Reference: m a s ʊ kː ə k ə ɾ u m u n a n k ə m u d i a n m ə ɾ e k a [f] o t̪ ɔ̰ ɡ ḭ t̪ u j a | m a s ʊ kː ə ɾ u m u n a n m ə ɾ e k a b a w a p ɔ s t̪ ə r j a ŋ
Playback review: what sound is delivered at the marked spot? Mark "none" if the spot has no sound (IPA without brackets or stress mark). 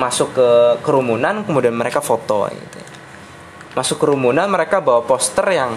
f